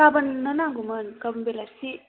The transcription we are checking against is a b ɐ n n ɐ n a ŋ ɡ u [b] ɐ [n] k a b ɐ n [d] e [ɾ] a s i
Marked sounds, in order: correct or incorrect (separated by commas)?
incorrect, correct, incorrect, incorrect